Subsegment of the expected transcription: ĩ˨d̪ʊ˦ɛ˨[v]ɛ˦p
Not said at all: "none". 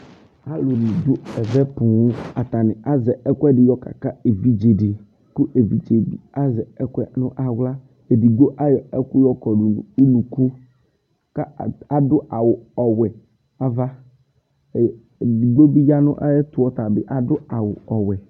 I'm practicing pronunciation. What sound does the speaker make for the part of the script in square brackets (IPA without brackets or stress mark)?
v